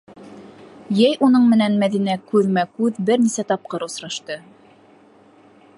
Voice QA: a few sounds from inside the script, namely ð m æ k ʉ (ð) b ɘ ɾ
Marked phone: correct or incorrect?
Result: correct